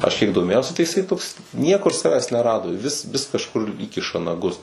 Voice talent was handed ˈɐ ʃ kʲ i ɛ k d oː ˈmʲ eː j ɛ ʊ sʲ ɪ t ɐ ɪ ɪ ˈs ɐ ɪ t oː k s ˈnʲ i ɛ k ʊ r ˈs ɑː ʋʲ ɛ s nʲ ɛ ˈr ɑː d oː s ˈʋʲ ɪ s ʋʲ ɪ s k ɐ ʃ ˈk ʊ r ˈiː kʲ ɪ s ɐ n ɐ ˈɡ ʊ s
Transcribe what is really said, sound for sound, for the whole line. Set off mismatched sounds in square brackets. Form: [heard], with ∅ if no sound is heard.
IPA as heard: ˈɐ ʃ kʲ i ɛ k d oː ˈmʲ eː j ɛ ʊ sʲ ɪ t ɐ ɪ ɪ ˈs ɐ ɪ t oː k s ˈnʲ i ɛ k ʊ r ˈs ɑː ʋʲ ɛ s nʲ ɛ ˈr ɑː d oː [∅] ˈʋʲ ɪ s ʋʲ ɪ s k ɐ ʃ ˈk ʊ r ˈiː kʲ ɪ [ʃ] ɐ n ɐ ˈɡ ʊ s